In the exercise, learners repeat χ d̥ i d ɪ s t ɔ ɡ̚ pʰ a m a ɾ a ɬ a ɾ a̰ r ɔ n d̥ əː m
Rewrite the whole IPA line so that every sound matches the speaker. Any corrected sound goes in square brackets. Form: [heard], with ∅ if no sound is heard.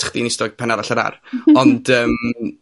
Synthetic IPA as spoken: χ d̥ i [n] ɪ s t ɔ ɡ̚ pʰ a [n] a ɾ a ɬ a ɾ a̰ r ɔ n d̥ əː m